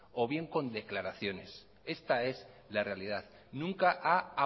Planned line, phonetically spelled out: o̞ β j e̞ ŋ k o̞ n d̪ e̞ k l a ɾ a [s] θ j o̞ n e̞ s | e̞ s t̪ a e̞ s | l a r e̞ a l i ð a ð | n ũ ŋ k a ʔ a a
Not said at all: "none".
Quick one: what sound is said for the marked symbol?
none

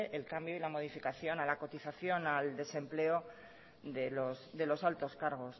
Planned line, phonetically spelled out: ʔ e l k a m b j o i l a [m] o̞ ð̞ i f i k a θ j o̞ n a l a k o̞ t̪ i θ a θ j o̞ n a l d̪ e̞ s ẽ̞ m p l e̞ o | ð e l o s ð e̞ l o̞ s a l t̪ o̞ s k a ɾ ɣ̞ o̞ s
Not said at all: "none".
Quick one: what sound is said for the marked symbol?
m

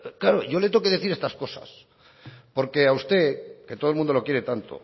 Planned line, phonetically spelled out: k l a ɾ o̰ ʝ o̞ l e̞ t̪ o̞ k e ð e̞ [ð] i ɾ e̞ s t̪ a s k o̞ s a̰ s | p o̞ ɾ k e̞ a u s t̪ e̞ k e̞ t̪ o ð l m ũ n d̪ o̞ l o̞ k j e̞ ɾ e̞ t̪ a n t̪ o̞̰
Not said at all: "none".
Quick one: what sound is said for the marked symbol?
θ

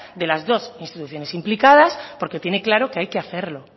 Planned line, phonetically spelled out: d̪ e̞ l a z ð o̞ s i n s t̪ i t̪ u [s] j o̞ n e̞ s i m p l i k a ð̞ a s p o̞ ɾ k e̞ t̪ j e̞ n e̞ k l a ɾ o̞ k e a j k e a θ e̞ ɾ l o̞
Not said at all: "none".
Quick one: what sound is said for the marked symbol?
θ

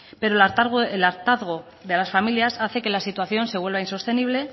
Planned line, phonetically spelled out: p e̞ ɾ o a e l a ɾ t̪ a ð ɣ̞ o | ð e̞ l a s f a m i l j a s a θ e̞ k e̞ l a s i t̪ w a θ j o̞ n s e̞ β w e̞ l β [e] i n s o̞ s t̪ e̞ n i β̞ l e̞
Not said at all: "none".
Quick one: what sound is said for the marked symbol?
a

